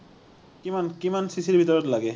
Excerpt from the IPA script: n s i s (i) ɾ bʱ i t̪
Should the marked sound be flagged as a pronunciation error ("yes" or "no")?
no